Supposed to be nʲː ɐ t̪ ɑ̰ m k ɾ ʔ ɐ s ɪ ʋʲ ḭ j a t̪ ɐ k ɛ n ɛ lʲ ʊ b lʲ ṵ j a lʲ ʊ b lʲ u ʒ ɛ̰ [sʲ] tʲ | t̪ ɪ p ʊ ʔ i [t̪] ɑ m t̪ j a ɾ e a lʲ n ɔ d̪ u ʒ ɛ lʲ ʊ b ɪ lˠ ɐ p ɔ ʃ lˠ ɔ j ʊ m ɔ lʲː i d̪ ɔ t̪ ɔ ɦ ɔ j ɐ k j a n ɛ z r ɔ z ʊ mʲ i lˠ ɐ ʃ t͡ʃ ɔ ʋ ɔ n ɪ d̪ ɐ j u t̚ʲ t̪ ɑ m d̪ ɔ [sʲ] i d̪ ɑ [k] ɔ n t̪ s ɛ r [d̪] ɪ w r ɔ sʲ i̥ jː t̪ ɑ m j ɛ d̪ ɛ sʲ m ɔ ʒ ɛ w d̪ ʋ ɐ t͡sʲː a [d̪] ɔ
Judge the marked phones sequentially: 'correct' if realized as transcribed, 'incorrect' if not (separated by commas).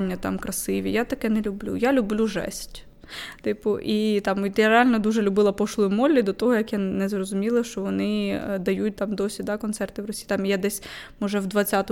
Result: correct, correct, correct, correct, incorrect, incorrect